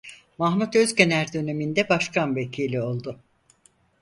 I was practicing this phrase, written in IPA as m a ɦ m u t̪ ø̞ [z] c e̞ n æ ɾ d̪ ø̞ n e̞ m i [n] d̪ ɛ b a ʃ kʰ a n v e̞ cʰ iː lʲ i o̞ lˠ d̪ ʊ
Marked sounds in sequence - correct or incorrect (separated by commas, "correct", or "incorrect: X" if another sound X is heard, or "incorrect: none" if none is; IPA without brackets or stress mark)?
correct, correct